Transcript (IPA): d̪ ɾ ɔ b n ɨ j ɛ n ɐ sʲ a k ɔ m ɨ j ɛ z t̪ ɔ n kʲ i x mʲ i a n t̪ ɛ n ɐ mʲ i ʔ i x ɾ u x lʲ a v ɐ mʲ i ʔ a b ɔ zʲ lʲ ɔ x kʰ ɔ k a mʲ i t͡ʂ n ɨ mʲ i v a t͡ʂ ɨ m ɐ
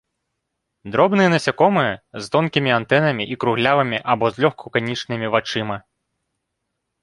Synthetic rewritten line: d̪ ɾ ɔ b n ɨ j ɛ n ɐ sʲ a k ɔ m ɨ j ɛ z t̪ ɔ n kʲ i mʲ i a n t̪ ɛ n ɐ mʲ i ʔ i k ɾ u ɣ lʲ a v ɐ mʲ i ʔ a b ɔ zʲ lʲ ɔ x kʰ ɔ k a nʲ i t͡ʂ n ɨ mʲ i v a t͡ʂ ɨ m ɐ